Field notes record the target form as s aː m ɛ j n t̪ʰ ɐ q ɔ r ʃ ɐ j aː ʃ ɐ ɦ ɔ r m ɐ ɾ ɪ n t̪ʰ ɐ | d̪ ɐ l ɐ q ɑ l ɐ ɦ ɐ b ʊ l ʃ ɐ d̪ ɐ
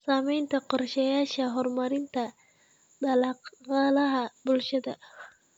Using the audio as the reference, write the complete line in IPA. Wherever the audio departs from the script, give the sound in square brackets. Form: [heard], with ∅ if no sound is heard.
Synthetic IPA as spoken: s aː m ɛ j n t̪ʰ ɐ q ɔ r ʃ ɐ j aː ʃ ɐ ɦ ɔ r m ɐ ɾ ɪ n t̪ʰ ɐ | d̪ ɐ l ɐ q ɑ l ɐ ɦ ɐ b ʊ l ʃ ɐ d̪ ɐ